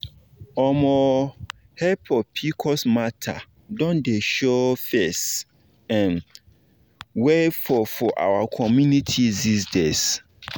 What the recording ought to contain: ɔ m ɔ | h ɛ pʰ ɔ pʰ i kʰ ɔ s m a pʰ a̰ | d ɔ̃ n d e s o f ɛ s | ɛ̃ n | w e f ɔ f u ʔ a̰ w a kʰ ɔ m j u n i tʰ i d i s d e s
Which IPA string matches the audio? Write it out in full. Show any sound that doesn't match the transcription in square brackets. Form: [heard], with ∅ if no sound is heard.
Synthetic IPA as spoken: ɔ m ɔ | h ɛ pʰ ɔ pʰ i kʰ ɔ s m a [tʰ] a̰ | d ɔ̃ n d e [ʃ] o f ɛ s | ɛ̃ n | w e f ɔ f [ɔ] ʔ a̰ w a kʰ ɔ m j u n i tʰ i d i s d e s

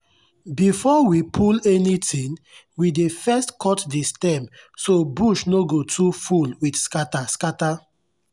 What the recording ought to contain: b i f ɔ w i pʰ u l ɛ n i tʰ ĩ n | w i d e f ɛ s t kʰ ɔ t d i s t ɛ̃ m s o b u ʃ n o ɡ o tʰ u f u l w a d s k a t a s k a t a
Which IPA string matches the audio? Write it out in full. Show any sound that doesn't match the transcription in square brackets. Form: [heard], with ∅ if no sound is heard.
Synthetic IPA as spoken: b i f ɔ w i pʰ u l ɛ n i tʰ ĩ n | w i d e f ɛ s t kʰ ɔ t d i s t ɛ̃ m s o b u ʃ n o ɡ o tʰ u f u l w [i] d s k a t a s k a t a

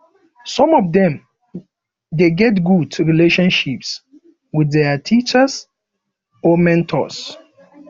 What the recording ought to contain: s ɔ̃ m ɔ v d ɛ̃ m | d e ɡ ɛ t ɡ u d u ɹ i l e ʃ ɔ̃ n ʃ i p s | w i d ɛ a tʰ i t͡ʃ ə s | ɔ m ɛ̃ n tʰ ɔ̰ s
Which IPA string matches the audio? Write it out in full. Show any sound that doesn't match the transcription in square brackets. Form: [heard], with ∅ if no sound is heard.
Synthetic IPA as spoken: s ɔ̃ m ɔ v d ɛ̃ m | d e ɡ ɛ t ɡ u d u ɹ i l e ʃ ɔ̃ n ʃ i p s | w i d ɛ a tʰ i t͡ʃ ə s | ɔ m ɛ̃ n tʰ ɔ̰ s

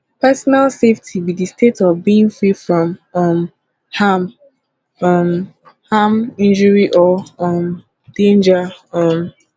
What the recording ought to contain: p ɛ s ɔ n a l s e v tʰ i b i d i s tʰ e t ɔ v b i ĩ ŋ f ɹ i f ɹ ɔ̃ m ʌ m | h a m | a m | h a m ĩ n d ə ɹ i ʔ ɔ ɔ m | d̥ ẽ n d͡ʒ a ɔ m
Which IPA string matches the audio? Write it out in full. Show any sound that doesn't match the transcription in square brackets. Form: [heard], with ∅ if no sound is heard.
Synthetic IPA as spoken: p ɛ s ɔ n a l s e [f] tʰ i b i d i s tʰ e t ɔ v b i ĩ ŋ f ɹ i f ɹ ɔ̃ m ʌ m | h a m | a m | h a m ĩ n [d͡ʒ] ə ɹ i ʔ ɔ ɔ m | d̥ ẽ n d͡ʒ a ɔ m

